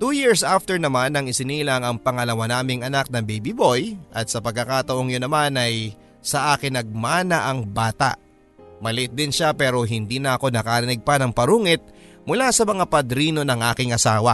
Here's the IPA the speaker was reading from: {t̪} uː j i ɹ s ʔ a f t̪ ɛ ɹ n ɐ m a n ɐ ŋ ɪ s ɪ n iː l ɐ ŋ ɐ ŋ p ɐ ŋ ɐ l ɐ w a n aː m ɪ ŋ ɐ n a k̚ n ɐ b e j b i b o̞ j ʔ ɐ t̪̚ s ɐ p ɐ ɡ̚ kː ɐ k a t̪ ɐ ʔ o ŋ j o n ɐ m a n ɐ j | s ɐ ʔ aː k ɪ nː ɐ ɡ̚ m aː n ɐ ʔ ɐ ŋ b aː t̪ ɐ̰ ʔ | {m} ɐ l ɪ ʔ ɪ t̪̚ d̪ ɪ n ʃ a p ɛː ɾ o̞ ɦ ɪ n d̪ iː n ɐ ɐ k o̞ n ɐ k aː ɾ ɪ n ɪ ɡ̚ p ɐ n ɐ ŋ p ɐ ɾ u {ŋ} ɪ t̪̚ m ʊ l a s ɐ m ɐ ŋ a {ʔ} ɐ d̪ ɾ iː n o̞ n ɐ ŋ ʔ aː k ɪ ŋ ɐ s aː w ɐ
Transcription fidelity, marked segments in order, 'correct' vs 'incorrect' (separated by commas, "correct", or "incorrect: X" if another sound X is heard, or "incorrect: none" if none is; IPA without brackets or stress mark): correct, correct, correct, incorrect: p